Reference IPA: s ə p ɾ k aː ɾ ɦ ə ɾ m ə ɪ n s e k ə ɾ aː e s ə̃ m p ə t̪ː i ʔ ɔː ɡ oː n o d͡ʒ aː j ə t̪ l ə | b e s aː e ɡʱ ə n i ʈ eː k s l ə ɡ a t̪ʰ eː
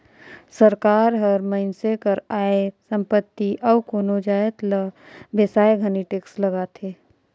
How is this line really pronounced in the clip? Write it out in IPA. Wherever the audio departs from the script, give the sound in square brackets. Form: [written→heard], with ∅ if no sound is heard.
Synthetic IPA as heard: s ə [p→∅] ɾ k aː ɾ ɦ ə ɾ m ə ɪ n s e k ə ɾ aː e s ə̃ m p ə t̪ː i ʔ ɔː [ɡ→k] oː n o d͡ʒ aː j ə t̪ l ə | b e s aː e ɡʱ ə n i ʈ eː k s l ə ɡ a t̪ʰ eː